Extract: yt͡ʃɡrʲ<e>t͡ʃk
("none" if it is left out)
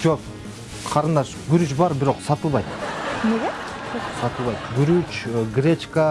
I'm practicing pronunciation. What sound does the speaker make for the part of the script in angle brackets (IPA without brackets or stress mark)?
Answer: e